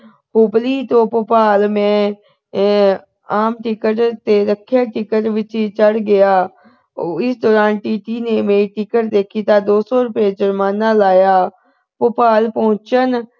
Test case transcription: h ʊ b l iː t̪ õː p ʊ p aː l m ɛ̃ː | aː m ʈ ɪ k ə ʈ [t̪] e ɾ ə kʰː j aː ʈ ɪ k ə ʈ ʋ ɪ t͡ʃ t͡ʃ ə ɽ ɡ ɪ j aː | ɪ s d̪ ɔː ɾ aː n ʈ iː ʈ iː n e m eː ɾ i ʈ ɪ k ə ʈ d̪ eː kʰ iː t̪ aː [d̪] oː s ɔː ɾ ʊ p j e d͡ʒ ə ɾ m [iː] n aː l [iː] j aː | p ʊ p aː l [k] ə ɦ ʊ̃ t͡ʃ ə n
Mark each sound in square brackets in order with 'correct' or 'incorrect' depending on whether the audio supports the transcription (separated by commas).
correct, correct, incorrect, incorrect, incorrect